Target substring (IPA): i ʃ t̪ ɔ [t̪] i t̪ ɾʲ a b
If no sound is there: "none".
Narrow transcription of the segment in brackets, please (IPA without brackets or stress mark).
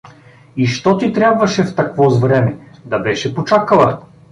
t̪